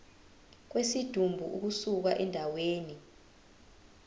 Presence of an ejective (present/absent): absent